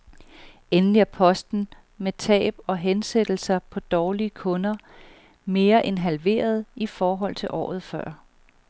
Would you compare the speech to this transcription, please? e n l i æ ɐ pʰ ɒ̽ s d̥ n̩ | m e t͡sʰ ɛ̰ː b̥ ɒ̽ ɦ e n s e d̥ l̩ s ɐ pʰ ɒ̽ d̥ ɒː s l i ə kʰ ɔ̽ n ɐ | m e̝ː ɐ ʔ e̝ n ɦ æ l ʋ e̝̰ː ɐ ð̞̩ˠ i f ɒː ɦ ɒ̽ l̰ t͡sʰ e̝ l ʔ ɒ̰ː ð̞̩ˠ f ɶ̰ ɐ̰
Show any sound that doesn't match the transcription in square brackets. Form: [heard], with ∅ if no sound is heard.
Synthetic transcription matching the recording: e n l i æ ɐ pʰ ɒ̽ s d̥ n̩ | m e t͡sʰ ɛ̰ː b̥ ɒ̽ ɦ e n s e d̥ l̩ s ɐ pʰ ɒ̽ d̥ ɒː [∅] l i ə kʰ ɔ̽ n ɐ | m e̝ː ɐ ʔ e̝ n ɦ æ l ʋ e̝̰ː ɐ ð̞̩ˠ i f ɒː ɦ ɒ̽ l̰ t͡sʰ e̝ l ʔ ɒ̰ː ð̞̩ˠ f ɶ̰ ɐ̰

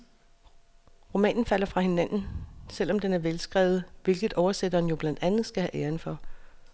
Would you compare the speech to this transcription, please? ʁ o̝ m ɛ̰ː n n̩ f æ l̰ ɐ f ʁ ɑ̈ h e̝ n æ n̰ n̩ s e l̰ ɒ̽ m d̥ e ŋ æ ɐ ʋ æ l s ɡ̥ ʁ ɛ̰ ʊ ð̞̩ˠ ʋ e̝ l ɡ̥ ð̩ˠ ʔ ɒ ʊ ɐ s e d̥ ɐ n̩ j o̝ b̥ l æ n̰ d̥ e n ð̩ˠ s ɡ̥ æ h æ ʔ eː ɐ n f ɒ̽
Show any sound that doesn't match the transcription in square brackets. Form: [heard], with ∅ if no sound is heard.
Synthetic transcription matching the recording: ʁ o̝ m ɛ̰ː n n̩ f æ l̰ ɐ f ʁ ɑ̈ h e̝ n æ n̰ n̩ s e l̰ ɒ̽ m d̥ e [n] æ ɐ ʋ [e] l s ɡ̥ ʁ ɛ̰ ʊ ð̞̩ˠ ʋ e̝ l ɡ̥ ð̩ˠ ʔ ɒ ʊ ɐ s e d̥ ɐ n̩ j o̝ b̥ l æ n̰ d̥ [æ] n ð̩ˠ s ɡ̥ æ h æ ʔ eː ɐ n f ɒ̽

